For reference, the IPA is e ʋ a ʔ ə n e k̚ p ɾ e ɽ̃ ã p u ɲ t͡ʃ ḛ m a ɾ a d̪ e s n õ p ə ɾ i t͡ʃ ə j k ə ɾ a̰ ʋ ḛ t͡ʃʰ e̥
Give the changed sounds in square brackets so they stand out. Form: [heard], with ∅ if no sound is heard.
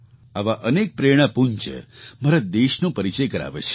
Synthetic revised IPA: [a] ʋ a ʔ ə n e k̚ p ɾ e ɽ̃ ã p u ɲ t͡ʃ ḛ m a ɾ a d̪ e [ʃ] n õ p ə ɾ i t͡ʃ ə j k ə ɾ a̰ ʋ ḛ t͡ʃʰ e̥